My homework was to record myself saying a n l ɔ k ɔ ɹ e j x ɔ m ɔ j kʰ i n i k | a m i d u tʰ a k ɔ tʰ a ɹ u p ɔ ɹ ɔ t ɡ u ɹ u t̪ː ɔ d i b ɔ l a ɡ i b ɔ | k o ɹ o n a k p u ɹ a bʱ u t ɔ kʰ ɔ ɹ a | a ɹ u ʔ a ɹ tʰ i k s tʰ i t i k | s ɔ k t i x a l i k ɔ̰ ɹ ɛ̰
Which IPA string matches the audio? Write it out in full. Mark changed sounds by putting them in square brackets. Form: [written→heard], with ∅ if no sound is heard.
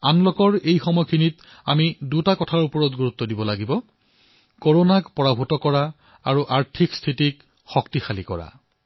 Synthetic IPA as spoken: a n l ɔ k ɔ ɹ e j x ɔ m ɔ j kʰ i n i [k→t] | a m i d u [tʰ→t] a k ɔ tʰ a ɹ u p ɔ ɹ ɔ t ɡ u ɹ u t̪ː ɔ d i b ɔ l a ɡ i b ɔ | k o ɹ o n a k p [u→ɔ] ɹ a bʱ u t ɔ [kʰ→k] ɔ ɹ a | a ɹ u ʔ a ɹ tʰ i k s tʰ i t i k | [s→x] ɔ k t i x a l i k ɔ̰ ɹ [ɛ̰→a̰]